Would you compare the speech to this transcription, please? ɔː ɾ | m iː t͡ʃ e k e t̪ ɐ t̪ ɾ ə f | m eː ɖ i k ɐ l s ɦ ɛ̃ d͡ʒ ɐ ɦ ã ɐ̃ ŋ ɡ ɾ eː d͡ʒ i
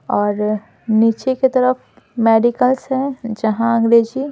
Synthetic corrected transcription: ɔː ɾ | n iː t͡ʃ e k e t̪ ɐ ɾ ə f | m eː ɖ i k ə l s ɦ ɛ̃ d͡ʒ ɐ ɦ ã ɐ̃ ŋ ɡ ɾ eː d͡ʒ i